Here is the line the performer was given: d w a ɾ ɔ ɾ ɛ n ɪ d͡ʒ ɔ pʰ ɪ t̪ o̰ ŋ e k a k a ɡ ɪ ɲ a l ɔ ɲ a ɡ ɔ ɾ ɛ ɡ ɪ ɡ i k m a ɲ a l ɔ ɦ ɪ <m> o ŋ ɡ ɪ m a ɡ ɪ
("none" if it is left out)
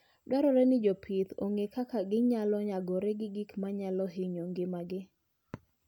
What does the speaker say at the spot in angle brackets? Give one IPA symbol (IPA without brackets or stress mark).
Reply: ɲ